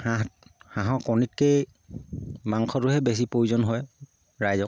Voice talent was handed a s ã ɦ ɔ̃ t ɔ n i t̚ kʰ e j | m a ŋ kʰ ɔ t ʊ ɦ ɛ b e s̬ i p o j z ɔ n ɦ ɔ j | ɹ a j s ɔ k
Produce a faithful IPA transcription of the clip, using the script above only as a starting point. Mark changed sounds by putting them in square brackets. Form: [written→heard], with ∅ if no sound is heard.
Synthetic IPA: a [s→h] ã ɦ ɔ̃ [t→k] ɔ n i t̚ [kʰ→k] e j | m a ŋ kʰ ɔ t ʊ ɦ ɛ b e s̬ i p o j z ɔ n ɦ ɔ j | ɹ a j [s→z] ɔ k